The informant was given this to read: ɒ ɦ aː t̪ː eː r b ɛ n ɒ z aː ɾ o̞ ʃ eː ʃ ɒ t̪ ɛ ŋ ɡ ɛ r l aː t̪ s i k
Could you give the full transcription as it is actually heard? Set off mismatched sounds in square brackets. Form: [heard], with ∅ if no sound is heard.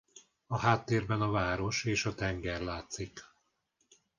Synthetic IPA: ɒ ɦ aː t̪ː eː r b ɛ n ɒ [v] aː ɾ o̞ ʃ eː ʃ ɒ t̪ ɛ ŋ ɡ ɛ r l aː t̪ s i k